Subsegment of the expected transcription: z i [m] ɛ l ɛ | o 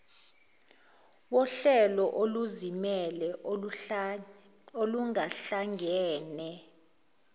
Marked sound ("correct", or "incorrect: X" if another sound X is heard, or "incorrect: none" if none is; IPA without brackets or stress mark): correct